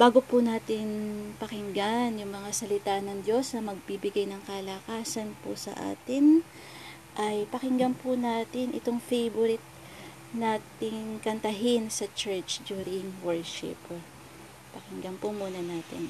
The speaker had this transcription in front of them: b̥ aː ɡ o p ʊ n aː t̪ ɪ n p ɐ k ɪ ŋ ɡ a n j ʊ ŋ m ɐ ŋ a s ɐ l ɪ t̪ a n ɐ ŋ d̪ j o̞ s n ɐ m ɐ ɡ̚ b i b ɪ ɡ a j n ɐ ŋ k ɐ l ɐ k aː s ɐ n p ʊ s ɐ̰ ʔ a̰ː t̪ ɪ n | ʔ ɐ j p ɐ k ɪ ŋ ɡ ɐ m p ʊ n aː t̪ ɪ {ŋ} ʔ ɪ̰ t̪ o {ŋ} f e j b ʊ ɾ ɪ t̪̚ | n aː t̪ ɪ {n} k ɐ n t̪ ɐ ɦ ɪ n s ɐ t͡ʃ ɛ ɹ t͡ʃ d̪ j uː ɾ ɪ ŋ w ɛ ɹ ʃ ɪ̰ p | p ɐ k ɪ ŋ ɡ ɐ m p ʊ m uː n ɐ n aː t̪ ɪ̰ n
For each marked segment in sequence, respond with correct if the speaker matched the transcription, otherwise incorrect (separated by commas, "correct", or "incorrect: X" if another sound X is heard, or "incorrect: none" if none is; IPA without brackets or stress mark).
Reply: incorrect: n, correct, incorrect: ŋ